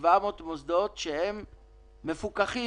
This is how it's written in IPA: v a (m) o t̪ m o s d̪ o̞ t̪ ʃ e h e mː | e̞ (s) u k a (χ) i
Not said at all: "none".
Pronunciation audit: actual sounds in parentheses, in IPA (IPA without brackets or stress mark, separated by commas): m, f, χ